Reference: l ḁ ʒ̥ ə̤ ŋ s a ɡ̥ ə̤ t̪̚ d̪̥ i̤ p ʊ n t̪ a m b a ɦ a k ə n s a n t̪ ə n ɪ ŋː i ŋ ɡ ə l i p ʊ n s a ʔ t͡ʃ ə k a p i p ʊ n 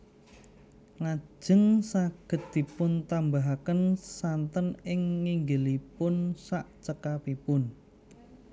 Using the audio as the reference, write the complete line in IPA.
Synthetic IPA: l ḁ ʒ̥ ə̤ ŋ s a ɡ̥ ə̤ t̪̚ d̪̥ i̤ p ʊ n t̪ a m b a ɦ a k ə n s a n t̪ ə n ɪ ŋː i ŋ ɡ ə l i p ʊ n s a ʔ t͡ʃ ə k a p i p ʊ n